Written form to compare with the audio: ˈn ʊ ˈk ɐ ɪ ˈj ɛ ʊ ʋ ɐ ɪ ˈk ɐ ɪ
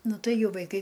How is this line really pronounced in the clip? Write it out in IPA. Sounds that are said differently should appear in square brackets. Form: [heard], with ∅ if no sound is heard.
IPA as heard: ˈn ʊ [ˈt] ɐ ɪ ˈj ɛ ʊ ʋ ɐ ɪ ˈk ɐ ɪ